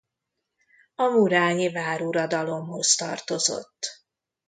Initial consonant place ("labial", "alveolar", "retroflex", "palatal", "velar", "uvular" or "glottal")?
labial